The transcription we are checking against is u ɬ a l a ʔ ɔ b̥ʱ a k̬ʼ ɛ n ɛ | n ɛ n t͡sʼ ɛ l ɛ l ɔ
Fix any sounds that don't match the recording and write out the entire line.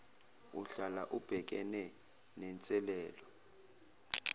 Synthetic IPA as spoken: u ɬ a l a ʔ u b̥ʱ ɛ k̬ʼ ɛ n ɛ | n ɛ n t͡sʼ ɛ l ɛː l ɔ